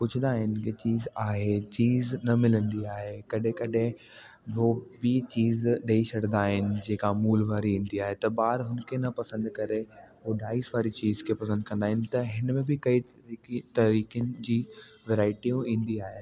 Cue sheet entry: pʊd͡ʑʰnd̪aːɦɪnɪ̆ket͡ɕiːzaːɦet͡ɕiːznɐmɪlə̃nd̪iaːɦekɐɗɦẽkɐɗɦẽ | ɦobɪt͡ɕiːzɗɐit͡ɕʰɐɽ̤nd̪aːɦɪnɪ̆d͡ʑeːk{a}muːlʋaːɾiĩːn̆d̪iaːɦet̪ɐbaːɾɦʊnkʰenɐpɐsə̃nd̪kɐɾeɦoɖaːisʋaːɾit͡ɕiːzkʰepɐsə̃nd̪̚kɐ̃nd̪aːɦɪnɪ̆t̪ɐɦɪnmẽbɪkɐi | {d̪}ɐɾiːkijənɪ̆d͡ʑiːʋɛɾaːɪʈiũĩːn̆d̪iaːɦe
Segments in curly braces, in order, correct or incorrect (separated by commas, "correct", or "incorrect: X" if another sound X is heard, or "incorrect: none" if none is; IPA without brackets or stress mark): correct, incorrect: t̪